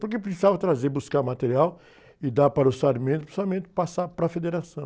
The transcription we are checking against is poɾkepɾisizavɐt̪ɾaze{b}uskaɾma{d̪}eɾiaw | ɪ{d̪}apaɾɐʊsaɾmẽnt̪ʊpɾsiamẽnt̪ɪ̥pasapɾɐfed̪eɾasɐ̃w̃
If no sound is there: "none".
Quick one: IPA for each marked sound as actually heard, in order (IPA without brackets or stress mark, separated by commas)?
b, t̪, d̪